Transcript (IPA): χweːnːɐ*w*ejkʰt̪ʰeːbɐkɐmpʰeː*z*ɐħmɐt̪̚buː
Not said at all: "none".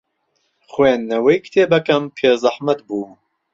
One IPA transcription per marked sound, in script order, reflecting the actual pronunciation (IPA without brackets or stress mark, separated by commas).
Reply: w, z